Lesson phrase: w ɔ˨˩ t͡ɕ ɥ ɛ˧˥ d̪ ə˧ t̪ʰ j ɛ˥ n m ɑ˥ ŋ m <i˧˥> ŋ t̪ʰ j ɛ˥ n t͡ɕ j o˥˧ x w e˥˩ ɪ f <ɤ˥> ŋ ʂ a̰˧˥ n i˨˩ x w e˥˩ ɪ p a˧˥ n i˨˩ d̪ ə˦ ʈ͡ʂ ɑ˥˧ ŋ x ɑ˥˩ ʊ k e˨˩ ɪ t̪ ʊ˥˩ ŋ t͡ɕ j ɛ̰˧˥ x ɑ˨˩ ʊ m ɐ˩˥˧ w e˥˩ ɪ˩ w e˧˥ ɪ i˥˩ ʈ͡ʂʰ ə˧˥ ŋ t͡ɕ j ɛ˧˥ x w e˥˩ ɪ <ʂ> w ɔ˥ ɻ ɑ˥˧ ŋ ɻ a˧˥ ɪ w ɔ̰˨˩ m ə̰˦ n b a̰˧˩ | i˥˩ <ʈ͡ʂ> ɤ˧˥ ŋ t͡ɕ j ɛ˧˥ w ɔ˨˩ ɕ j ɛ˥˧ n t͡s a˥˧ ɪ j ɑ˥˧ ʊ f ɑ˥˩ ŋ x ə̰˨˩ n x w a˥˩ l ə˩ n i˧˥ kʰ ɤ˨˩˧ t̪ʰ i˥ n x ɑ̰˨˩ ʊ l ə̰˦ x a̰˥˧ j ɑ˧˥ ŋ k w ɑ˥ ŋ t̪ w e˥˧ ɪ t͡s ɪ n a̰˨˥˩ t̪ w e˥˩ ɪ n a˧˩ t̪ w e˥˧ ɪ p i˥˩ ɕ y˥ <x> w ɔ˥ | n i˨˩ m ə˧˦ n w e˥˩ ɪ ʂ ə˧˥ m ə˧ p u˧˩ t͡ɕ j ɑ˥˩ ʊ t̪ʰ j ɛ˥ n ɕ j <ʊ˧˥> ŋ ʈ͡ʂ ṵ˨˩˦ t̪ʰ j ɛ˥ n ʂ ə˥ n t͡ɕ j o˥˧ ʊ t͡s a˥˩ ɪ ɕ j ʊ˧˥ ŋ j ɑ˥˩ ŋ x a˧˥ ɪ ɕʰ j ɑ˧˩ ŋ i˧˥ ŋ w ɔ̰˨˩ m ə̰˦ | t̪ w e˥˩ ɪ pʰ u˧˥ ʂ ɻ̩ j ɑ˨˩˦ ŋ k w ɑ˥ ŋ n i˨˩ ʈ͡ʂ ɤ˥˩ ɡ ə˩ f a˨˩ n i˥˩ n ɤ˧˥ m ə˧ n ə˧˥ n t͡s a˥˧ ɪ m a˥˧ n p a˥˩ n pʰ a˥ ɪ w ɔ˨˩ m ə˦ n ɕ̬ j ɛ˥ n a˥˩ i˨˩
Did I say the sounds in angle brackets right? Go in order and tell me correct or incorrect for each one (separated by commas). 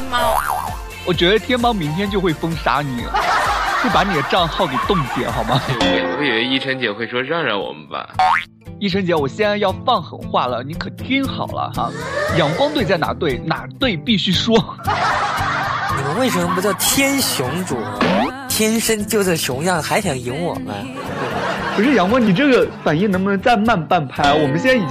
correct, correct, correct, incorrect, incorrect, correct